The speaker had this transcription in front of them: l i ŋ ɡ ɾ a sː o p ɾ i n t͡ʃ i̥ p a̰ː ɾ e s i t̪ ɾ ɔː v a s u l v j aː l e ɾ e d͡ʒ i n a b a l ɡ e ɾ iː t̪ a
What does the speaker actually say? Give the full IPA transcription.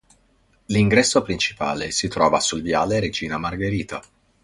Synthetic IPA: l i ŋ ɡ ɾ ɛ sː o p ɾ i n t͡ʃ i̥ p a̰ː l e s i t̪ ɾ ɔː v a s u l v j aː l e ɾ e d͡ʒ iː n a m a r ɡ e ɾ iː t̪ a